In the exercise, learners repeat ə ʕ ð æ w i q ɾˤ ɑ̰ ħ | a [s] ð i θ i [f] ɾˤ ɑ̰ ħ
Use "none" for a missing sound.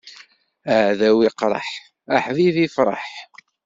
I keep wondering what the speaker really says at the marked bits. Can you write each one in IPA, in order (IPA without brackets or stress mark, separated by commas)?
ħ, f